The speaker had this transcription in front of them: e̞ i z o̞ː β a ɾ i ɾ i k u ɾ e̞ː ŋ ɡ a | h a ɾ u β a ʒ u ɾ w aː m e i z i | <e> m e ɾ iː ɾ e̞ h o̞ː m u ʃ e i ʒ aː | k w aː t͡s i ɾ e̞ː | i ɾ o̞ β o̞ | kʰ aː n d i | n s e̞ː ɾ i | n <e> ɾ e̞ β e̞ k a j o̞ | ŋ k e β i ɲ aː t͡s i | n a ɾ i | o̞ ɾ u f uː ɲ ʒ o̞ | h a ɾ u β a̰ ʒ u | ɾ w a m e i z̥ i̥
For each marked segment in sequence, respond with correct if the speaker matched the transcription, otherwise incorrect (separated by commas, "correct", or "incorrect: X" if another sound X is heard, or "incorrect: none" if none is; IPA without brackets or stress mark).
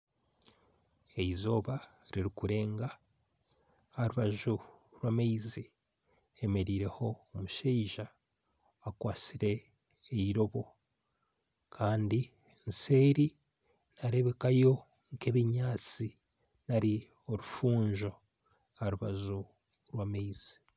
correct, incorrect: a